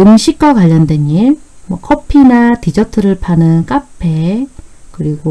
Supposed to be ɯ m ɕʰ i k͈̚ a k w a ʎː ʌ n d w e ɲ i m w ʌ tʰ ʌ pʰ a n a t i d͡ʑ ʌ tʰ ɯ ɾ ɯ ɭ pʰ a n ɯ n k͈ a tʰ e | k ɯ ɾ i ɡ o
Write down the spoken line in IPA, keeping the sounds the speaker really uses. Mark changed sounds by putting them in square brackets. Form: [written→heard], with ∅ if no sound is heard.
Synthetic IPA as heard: ɯ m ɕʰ i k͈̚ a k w a ʎː ʌ n d w e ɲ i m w ʌ [tʰ→kʰ] ʌ pʰ [a→i] n a t i d͡ʑ ʌ tʰ ɯ ɾ ɯ ɭ pʰ a n ɯ n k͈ a [tʰ→pʰ] e | k ɯ ɾ i ɡ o